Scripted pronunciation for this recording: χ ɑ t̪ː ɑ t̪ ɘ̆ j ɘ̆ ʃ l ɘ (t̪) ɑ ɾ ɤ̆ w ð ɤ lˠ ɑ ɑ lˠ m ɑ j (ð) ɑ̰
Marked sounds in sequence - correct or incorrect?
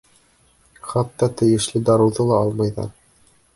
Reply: incorrect: d̪, correct

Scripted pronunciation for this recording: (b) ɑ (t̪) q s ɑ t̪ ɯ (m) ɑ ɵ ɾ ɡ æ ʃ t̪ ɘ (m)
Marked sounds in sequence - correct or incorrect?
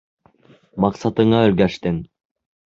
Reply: incorrect: m, incorrect: none, incorrect: ɴ, incorrect: ŋ

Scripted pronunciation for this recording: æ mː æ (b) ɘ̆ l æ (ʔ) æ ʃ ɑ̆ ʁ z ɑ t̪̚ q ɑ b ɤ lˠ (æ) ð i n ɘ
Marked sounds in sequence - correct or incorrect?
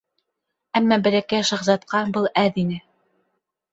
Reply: correct, incorrect: k, correct

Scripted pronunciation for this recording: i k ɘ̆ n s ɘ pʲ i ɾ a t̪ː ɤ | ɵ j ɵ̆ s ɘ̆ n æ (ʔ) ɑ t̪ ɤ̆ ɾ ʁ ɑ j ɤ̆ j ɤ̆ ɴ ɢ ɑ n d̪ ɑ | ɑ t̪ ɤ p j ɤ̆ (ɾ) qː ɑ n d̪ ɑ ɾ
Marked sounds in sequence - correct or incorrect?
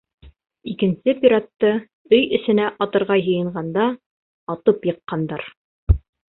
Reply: correct, incorrect: none

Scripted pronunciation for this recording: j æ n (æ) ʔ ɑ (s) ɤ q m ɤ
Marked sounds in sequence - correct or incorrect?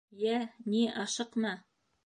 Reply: incorrect: i, incorrect: ʃ

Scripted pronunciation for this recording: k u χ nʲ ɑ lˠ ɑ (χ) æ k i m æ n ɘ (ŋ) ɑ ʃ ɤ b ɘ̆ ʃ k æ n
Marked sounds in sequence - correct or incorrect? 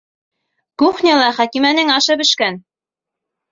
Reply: correct, correct

